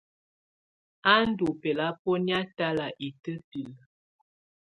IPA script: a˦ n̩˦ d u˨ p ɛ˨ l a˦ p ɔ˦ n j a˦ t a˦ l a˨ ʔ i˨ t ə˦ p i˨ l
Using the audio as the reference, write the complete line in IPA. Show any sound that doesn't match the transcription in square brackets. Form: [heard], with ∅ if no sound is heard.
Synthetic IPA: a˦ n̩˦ d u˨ p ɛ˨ l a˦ p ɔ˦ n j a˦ t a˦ l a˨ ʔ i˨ t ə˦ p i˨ l